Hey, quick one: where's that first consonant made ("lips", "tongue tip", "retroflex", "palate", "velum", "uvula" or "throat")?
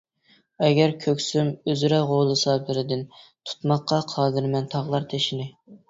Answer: velum